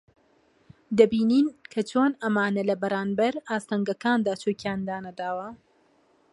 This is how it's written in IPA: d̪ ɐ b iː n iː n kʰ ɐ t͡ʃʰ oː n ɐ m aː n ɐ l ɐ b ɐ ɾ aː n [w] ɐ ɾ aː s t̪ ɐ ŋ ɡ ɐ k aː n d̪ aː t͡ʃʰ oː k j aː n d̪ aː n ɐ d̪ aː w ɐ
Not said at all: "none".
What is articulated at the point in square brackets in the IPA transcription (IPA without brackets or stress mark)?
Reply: b